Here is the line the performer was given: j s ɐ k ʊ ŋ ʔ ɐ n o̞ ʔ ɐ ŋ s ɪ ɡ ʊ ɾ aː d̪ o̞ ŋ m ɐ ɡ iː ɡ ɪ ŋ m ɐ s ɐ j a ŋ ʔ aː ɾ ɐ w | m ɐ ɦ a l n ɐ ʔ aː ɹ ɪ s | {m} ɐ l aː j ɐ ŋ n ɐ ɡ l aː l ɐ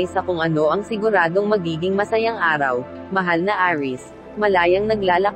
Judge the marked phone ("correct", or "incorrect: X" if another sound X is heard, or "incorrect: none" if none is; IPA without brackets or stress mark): correct